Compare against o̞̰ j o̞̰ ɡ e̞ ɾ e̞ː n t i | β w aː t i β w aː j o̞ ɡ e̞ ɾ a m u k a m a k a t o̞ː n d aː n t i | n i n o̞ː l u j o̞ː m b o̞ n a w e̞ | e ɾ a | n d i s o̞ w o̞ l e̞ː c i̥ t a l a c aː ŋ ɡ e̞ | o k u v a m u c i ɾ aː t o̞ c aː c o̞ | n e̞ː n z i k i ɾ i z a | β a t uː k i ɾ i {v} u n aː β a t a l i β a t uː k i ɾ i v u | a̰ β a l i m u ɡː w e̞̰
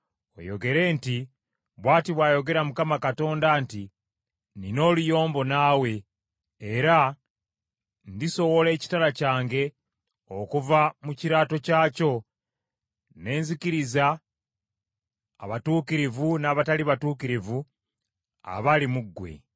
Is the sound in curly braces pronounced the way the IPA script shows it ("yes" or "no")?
yes